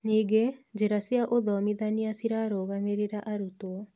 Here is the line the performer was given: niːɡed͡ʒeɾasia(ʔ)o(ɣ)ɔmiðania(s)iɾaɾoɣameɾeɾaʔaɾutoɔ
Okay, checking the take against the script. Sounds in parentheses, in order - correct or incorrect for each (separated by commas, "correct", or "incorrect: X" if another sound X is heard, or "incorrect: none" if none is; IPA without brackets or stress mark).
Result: correct, incorrect: ð, correct